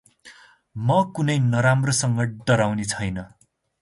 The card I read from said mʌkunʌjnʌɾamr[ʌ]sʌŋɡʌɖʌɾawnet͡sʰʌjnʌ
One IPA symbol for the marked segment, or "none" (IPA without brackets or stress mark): ʌ